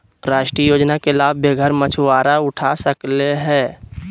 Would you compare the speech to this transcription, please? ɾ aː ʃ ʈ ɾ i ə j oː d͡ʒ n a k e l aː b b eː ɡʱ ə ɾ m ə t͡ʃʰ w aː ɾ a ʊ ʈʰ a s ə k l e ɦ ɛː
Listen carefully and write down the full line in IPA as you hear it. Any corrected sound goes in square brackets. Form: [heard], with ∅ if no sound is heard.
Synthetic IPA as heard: ɾ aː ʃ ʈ ɾ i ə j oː d͡ʒ n a k e l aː b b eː ɡʱ ə ɾ m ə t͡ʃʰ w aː ɾ a ʊ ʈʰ a s ə k l e ɦ ɛː